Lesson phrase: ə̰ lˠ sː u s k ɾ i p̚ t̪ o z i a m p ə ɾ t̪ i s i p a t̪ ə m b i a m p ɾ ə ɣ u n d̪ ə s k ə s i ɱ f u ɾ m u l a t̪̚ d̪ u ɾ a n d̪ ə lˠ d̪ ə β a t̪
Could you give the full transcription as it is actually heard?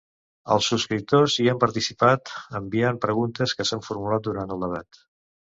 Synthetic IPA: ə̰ lˠ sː u s k ɾ i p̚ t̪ o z i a m p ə ɾ t̪ i s i p a t̪ ə m b i a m p ɾ ə ɣ u n t̪ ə s k ə s a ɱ f u ɾ m u l a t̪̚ d̪ u ɾ a n t̪ ə lˠ d̪ ə β a t̪

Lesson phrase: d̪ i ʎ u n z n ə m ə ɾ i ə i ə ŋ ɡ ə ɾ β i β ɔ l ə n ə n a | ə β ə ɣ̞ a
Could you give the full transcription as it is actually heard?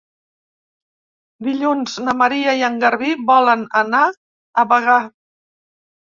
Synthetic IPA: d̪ i ʎ u n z n ə m ə ɾ i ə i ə ŋ ɡ ə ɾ β i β ɔ l ə n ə n a | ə β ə ɣ̞ a

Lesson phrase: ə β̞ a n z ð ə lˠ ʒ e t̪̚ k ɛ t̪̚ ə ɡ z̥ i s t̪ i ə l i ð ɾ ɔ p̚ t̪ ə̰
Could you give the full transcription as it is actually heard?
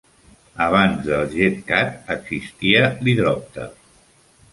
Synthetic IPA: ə β̞ a n z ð ə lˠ ʒ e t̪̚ k a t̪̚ ə ɡ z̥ i s t̪ i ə l i ð ɾ ɔ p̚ t̪ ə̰

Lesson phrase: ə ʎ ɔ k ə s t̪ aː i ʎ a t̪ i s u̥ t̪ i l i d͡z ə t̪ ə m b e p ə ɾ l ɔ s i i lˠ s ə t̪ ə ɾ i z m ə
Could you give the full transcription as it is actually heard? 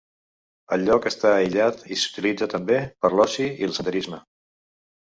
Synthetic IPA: ə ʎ ɔ k ə s t̪ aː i ʎ a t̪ i s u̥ t̪ i l i d͡z ə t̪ ə m b e p ə ɾ l ɔ s i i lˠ s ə t̪ ə ɾ i z m ə

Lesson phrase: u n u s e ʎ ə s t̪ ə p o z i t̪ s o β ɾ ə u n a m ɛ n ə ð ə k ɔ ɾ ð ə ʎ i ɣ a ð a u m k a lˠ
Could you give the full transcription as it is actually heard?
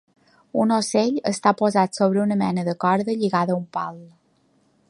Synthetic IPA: u n o s e ʎ ə s t̪ a p o z a t̪ s o β ɾ ə u n ə m ɛ n ə ð ə k ɔ ɾ ð ə ʎ i ɣ a ð ə u m p a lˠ

